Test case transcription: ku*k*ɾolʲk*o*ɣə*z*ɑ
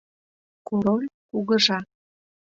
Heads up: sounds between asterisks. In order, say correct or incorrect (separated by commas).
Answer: incorrect, incorrect, incorrect